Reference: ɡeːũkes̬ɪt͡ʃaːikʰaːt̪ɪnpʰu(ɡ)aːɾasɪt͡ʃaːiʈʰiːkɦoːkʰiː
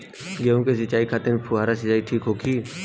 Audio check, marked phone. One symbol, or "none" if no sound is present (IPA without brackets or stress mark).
none